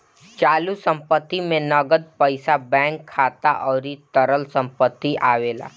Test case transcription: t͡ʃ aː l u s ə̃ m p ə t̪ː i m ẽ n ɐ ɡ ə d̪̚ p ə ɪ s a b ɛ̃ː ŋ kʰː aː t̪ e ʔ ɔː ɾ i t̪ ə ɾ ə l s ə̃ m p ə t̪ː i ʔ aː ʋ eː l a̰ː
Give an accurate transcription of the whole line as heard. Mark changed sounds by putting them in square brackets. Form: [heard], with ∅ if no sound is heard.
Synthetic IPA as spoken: t͡ʃ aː l u s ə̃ m p ə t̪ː i m ẽ n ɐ ɡ ə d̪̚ p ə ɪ s a b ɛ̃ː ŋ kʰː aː t̪ [a] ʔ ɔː ɾ i t̪ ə ɾ ə l s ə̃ m p ə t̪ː i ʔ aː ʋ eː l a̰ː